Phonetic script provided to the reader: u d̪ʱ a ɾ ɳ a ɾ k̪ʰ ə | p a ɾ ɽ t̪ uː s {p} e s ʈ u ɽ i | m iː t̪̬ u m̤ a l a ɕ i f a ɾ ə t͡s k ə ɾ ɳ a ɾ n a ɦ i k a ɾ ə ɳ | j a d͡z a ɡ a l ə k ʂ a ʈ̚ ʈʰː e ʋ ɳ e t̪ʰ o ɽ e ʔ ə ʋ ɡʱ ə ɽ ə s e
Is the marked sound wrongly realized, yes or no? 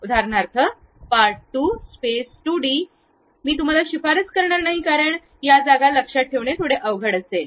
no